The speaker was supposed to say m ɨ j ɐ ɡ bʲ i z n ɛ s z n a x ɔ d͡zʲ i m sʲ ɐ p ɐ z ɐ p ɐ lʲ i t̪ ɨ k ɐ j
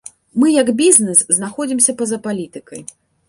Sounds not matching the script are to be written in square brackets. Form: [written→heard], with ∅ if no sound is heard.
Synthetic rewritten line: m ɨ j ɐ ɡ bʲ i z n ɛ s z n a x ɔ d͡zʲ i m sʲ ɐ p ɐ z ɐ p [ɐ→a] lʲ i t̪ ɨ k ɐ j

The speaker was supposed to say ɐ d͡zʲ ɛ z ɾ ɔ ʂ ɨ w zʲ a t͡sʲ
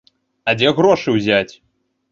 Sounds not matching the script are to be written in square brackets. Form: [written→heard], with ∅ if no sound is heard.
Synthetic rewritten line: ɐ d͡zʲ ɛ [z→ɣ] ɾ ɔ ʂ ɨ w zʲ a t͡sʲ

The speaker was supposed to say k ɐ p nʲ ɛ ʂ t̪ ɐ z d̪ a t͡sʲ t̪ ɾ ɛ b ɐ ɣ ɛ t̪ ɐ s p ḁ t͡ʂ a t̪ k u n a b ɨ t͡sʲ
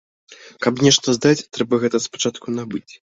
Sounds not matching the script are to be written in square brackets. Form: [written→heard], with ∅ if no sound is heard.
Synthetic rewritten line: k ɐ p nʲ ɛ ʂ t̪ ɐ z d̪ a t͡sʲ t̪ ɾ ɛ b ɐ ɣ ɛ t̪ ɐ s p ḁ t͡ʂ a t̪ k u n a b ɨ t͡sʲ

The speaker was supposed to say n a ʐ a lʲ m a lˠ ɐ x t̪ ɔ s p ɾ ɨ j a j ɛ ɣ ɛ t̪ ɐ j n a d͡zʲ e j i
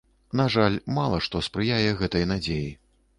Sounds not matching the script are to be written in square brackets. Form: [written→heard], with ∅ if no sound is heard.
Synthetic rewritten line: n a ʐ a lʲ m a lˠ ɐ [x→ʂ] t̪ ɔ s p ɾ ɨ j a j ɛ ɣ ɛ t̪ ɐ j n a d͡zʲ e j i

